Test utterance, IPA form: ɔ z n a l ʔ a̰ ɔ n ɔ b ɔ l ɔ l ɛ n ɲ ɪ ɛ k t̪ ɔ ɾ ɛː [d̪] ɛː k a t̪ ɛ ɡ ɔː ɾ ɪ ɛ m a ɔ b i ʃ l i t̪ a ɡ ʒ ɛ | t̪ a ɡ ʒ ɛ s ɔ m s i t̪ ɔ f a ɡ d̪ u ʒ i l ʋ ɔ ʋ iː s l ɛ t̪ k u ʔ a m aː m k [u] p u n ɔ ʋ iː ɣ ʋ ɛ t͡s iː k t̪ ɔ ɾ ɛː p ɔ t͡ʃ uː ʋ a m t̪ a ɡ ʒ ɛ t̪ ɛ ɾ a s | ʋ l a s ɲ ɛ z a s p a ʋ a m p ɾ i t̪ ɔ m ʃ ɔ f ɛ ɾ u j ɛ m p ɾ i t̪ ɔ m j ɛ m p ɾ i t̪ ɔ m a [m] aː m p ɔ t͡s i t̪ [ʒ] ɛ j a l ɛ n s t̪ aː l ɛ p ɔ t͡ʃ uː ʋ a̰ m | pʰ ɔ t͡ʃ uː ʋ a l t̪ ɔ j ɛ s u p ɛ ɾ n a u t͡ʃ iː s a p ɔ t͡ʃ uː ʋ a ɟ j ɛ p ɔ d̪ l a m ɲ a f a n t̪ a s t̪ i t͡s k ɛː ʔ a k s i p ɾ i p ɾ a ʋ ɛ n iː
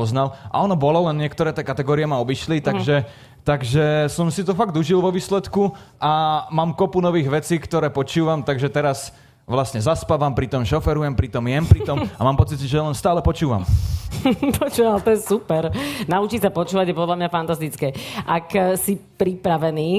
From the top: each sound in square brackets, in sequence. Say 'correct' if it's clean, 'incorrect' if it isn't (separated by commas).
incorrect, incorrect, correct, correct